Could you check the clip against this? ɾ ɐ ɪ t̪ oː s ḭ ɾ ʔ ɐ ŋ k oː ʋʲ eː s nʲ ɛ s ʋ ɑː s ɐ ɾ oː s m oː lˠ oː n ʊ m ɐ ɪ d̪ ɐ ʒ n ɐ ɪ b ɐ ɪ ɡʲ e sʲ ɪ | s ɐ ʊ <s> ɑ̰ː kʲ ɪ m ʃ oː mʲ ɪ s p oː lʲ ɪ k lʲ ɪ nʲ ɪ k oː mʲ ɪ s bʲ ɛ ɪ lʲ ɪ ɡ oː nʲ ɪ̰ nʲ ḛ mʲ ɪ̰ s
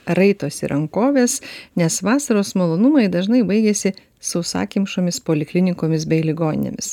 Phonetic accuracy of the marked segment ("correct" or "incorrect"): correct